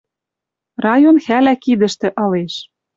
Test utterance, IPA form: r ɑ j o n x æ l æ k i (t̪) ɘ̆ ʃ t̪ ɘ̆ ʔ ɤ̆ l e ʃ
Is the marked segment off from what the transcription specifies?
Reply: yes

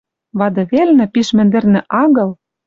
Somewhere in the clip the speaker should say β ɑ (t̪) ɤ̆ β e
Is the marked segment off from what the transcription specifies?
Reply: yes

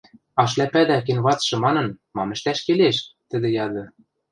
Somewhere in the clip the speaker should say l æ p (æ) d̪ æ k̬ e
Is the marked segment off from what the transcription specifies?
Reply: no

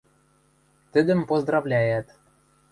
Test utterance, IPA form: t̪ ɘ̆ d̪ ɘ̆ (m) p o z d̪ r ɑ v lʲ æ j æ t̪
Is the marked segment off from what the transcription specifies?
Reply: no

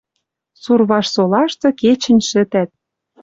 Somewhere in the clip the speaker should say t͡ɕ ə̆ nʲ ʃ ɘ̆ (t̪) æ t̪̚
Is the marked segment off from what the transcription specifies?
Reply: no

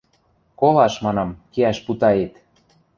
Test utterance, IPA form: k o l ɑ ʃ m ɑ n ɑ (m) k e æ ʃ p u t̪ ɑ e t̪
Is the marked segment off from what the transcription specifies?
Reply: no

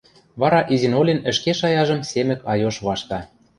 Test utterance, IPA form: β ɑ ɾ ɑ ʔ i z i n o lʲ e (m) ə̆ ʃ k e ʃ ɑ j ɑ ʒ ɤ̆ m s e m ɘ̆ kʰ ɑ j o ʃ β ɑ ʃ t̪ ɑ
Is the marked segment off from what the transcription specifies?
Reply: yes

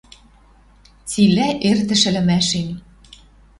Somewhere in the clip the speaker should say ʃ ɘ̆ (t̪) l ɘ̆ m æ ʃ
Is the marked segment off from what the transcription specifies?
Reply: yes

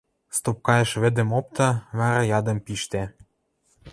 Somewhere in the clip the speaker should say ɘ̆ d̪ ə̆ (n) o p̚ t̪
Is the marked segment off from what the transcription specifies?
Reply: yes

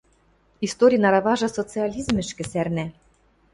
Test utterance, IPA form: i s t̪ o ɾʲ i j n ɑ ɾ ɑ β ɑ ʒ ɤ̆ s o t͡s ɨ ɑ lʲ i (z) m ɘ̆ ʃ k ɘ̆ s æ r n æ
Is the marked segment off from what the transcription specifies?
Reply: no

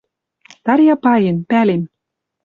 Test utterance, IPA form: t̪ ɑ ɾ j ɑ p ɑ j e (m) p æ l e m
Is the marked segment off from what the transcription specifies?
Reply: yes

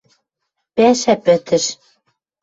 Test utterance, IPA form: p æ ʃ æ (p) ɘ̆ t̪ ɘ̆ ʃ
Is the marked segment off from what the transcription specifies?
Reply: no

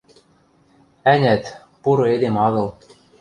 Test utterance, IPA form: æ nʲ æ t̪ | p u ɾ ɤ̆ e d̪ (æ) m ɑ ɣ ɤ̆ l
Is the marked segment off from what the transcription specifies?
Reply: yes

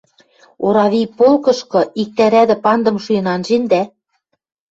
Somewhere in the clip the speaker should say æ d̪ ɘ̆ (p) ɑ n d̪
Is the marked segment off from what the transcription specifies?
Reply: no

